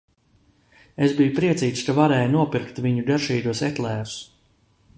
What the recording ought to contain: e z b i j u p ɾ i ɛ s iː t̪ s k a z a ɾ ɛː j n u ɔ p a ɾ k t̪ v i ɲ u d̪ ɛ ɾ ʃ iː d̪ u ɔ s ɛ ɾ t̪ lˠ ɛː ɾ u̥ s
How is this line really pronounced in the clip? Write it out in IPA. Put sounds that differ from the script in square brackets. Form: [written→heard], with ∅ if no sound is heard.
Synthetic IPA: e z b i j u p ɾ i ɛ s iː t̪ s k a [z→v] a ɾ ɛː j n u ɔ p [a→i] ɾ k t̪ v i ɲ u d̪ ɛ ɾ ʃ iː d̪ u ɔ s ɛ [ɾ→∅] t̪ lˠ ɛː ɾ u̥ s